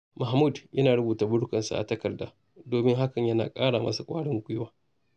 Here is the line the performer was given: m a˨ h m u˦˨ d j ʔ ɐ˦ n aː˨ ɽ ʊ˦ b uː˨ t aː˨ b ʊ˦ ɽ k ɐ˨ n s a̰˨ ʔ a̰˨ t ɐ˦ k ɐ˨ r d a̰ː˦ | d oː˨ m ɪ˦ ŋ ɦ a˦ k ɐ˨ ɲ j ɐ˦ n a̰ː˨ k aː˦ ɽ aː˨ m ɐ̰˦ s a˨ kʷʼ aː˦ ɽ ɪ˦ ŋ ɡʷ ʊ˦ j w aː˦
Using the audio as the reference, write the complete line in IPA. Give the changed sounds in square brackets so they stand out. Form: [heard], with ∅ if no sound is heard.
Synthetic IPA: m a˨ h m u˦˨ d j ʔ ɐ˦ n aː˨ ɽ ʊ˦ b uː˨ t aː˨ b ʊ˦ ɽ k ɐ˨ n s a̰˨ ʔ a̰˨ t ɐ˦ k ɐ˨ r d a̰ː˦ | d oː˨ m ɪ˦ ŋ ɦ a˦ k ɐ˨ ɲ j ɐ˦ n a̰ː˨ [kʼ] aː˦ ɽ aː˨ m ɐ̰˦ s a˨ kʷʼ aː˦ ɽ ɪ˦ ŋ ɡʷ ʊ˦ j w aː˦